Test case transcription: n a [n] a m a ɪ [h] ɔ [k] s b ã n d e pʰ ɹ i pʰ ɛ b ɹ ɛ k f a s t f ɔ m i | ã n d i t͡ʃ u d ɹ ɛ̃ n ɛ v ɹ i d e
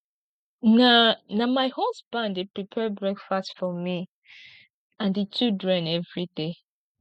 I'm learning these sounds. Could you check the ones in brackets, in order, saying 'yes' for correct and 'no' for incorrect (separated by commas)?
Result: yes, yes, no